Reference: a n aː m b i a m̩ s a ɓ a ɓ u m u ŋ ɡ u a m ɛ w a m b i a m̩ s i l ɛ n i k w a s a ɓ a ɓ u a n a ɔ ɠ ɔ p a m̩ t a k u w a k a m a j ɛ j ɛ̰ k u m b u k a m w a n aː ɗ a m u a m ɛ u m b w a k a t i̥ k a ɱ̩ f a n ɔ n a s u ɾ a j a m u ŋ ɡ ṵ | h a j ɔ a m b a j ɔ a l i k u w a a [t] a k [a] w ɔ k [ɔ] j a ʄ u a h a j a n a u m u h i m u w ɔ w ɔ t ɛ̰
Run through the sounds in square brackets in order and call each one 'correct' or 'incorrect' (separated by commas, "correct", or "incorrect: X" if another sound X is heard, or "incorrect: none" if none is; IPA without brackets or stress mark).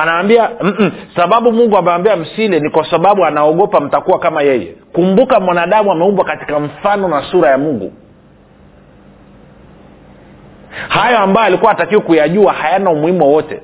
correct, incorrect: i, incorrect: u